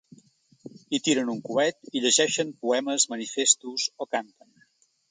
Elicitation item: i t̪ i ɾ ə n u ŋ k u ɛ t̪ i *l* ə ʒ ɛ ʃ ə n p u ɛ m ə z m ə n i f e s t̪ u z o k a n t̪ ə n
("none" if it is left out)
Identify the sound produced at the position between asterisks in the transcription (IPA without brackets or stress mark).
ʎ